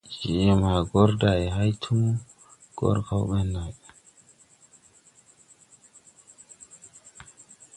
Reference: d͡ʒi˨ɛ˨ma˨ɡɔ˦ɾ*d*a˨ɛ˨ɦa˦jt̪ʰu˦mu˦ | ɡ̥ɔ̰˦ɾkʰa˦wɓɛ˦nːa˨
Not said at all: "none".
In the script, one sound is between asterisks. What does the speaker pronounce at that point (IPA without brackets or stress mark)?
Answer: d